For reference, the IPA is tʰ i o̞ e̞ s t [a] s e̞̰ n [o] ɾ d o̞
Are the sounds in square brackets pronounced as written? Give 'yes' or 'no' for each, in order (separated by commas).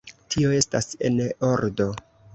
yes, yes